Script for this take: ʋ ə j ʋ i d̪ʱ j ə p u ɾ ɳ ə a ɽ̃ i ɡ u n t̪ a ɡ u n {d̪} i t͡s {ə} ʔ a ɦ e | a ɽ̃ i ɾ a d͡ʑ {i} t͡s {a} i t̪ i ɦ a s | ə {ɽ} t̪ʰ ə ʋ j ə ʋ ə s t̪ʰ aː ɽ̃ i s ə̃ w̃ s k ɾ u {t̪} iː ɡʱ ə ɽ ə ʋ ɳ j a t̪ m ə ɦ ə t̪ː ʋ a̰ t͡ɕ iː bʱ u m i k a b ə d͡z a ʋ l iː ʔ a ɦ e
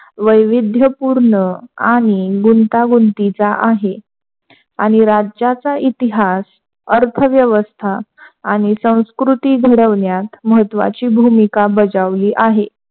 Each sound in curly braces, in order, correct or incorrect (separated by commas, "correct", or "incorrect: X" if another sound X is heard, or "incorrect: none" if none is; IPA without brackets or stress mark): incorrect: t̪, incorrect: a, incorrect: a, correct, incorrect: ɾ, correct